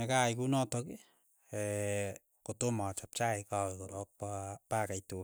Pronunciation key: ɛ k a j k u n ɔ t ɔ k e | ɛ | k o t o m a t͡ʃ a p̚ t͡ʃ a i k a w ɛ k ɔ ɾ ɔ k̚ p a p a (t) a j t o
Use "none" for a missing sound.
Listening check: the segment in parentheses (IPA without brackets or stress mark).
k